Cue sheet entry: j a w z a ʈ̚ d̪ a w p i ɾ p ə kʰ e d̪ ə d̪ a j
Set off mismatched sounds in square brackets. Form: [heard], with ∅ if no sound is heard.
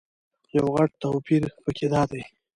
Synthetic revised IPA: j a w [ɣ] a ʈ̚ [t̪] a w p i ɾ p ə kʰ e d̪ [ɑ] d̪ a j